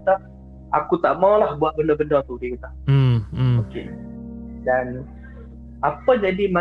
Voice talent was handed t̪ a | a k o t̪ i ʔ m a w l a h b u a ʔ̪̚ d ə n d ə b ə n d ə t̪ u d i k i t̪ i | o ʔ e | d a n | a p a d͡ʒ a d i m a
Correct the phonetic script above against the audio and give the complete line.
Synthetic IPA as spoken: t̪ a | a k u t̪ a ʔ m a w l a h b u a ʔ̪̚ b ə n d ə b ə n d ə t̪ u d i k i t̪ a | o k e | d a n | a p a d͡ʒ a d i m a